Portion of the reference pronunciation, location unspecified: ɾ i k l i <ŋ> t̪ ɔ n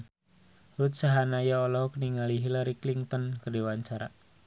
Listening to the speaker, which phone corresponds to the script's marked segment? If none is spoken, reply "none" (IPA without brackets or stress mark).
ŋ